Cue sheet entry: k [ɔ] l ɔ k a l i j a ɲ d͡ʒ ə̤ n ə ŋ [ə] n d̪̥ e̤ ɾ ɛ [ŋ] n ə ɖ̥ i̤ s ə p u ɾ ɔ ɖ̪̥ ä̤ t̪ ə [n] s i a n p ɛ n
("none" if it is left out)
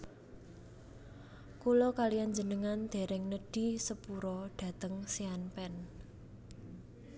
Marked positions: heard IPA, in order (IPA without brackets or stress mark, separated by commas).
u, a, ŋ, ŋ